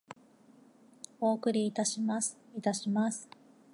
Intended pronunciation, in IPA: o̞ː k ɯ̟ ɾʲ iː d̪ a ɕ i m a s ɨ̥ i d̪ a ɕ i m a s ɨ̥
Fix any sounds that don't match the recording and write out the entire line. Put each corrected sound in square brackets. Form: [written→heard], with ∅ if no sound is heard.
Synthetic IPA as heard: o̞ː k ɯ̟ ɾʲ iː [d̪→t̪] a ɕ i m a s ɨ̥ i [d̪→t̪] a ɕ i m a s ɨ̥

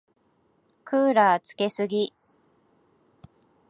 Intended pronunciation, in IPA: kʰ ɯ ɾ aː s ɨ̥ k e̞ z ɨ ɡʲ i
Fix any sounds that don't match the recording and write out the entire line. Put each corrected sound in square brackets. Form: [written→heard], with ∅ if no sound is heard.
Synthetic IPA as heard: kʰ [ɯ→ɯː] ɾ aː [s→t͡s] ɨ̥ k e̞ [z→s] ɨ ɡʲ i

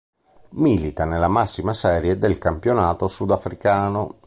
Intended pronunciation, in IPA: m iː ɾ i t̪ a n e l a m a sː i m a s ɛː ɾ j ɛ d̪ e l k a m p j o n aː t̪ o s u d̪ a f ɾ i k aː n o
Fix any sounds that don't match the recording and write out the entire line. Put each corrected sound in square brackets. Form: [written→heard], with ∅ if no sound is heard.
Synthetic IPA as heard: m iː [ɾ→l] i t̪ a n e l a m a sː i m a s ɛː ɾ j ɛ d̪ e l k a m p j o n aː t̪ o s u d̪ a f ɾ i k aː n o

